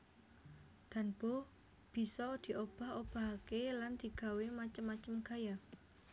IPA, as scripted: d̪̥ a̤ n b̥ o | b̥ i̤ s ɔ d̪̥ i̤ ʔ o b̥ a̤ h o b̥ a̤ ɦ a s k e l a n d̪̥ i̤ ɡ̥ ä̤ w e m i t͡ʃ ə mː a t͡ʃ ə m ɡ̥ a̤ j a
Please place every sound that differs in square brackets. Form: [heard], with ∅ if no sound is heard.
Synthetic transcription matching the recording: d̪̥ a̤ n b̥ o | b̥ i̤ s ɔ d̪̥ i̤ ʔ o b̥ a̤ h o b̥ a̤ ɦ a [∅] k e l a n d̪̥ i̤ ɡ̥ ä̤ w e m [a] t͡ʃ ə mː a t͡ʃ ə m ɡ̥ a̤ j a